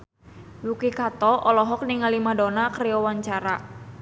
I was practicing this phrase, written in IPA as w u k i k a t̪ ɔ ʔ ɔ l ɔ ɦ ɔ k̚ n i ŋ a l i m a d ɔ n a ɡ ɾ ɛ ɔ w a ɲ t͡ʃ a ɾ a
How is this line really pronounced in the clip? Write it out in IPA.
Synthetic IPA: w u k i k a t̪ ɔ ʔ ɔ l ɔ ɦ ɔ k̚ n i ŋ a l i m a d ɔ n a k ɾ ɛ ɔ w a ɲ t͡ʃ a ɾ a